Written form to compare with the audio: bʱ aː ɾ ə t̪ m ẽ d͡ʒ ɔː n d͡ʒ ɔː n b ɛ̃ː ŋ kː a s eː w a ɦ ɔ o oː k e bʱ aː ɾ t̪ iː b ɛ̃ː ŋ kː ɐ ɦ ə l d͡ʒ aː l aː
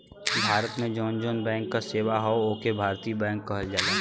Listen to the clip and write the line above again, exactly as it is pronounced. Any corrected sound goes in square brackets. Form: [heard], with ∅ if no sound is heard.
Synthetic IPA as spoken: bʱ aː ɾ ə t̪ m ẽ d͡ʒ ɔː n d͡ʒ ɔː n b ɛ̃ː ŋ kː a s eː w a ɦ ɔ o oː k e bʱ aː ɾ t̪ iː b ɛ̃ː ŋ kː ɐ ɦ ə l d͡ʒ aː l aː

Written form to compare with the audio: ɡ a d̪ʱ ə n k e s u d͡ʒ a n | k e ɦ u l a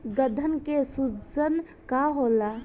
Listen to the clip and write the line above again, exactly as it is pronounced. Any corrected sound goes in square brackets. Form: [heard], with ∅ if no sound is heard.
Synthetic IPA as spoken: ɡ [ə] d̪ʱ ə n k e s u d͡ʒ [ə] n | k [a] ɦ [o] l a

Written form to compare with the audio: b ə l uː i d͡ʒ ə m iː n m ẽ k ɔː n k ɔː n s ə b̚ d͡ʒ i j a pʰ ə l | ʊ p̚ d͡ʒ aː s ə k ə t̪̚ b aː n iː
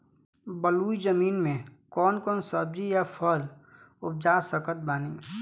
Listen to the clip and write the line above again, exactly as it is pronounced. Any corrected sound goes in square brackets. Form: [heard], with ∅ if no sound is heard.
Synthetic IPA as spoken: b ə l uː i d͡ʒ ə m iː n m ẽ k ɔː n k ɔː n s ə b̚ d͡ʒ i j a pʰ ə l | ʊ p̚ d͡ʒ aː s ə k ə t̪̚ b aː n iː

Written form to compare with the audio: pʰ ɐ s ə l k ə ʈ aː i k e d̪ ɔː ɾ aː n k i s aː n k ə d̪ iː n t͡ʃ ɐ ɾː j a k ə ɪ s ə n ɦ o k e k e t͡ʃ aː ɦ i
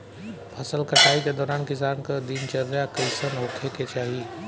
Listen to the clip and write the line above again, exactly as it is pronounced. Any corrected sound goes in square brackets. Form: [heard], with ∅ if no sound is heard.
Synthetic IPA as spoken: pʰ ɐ s ə l k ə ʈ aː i k e d̪ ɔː ɾ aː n k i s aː n k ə d̪ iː n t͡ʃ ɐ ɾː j a k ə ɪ s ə n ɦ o [kʰ] e k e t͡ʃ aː ɦ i

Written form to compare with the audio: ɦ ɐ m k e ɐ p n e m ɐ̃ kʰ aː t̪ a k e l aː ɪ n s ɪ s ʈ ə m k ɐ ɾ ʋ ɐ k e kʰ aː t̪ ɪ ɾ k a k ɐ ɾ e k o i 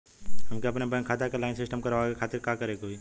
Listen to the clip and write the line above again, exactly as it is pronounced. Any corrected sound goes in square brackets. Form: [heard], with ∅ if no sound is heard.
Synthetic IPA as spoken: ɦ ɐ m k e ɐ p n e [b] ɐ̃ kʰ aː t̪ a k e l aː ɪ n s ɪ s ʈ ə m k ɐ ɾ ʋ [a] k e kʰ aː t̪ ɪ ɾ k a k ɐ ɾ e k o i

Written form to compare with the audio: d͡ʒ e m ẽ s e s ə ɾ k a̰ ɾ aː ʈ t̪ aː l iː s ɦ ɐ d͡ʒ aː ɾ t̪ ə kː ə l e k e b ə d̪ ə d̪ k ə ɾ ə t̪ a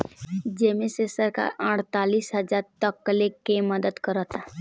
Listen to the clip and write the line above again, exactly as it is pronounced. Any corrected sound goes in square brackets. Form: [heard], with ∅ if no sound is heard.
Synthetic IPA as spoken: d͡ʒ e m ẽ s e s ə ɾ k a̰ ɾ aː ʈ t̪ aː l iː s ɦ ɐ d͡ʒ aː ɾ t̪ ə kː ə l e k e [m] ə d̪ ə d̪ k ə ɾ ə t̪ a

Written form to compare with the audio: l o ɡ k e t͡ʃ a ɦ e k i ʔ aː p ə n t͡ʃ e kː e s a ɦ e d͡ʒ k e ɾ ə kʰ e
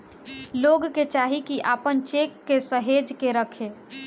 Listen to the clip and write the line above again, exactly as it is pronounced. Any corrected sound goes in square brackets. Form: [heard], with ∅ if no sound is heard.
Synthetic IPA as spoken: l o ɡ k e t͡ʃ a ɦ [i] k i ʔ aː p ə n t͡ʃ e kː e s [ə] ɦ e d͡ʒ k e ɾ ə kʰ e

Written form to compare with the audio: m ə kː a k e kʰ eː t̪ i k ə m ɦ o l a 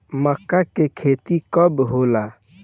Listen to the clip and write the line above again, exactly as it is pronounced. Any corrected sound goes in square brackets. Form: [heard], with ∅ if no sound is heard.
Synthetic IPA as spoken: m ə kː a k e kʰ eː t̪ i k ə [b] ɦ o l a

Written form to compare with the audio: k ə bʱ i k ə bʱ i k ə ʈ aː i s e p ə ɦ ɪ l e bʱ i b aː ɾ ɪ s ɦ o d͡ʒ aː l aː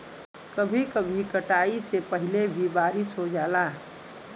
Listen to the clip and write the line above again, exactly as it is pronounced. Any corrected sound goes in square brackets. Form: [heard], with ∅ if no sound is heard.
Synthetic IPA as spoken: k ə bʱ i k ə bʱ i k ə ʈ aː i s e p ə ɦ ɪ l e bʱ i b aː ɾ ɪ s ɦ o d͡ʒ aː l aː

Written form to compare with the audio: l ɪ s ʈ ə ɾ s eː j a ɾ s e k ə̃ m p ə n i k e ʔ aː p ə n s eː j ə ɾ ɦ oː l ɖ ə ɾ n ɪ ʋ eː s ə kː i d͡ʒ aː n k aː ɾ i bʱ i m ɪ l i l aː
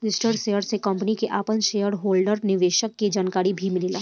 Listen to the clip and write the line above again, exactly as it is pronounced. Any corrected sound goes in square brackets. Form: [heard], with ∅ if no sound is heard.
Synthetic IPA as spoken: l ɪ s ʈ ə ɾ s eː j [ə] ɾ s e k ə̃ m p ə n i k e ʔ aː p ə n [ʃ] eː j ə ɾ ɦ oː l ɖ ə ɾ n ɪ ʋ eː [ʃ] ə kː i d͡ʒ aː n k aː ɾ i bʱ i m ɪ l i l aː

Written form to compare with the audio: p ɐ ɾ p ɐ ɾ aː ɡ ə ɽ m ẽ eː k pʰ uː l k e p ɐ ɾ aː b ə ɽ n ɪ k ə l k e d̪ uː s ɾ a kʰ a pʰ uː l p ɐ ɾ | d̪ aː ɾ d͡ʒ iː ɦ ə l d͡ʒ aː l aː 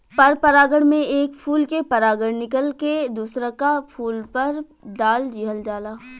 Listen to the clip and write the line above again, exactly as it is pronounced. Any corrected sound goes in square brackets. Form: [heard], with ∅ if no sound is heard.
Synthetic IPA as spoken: p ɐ ɾ p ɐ ɾ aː ɡ ə ɽ m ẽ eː k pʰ uː l k e p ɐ ɾ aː [ɡ] ə ɽ n ɪ k ə l k e d̪ uː s ɾ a [k] a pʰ uː l p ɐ ɾ | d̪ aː [l] d͡ʒ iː ɦ ə l d͡ʒ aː l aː

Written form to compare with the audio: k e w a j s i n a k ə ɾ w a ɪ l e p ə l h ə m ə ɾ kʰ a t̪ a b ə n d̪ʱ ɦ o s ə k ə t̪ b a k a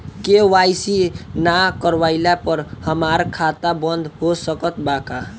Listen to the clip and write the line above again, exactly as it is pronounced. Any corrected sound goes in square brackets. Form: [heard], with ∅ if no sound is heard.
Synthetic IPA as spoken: k e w a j s i n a k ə ɾ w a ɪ l [a] p ə [ɾ] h ə m [a] ɾ kʰ a t̪ a b ə n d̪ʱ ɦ o s ə k ə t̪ b a k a

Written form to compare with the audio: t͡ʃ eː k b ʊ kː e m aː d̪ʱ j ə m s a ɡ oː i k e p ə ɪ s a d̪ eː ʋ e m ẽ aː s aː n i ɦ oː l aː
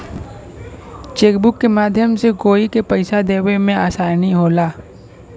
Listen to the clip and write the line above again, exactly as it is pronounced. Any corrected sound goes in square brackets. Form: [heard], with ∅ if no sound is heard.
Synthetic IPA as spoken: t͡ʃ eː k b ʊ kː e m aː d̪ʱ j ə m s [e] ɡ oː i k e p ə ɪ s a d̪ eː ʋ e m ẽ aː s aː n i ɦ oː l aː

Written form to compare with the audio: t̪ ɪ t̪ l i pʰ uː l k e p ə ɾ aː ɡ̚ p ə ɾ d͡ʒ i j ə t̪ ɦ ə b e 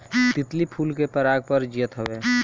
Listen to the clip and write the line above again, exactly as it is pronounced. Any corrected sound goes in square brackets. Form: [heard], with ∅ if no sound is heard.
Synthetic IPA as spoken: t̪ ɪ t̪ l i pʰ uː l k e p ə ɾ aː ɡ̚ p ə ɾ d͡ʒ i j ə t̪ ɦ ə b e

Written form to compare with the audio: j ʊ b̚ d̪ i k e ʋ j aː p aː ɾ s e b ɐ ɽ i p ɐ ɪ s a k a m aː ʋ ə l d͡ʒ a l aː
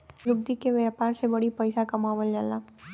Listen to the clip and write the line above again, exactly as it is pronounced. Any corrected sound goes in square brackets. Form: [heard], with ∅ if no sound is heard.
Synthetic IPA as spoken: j ʊ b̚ d̪ i k e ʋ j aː p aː ɾ s e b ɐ ɽ i p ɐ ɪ s a k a m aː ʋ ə l d͡ʒ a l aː

